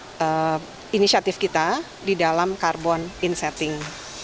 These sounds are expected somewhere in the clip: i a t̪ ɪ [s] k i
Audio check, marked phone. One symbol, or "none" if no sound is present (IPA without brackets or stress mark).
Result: f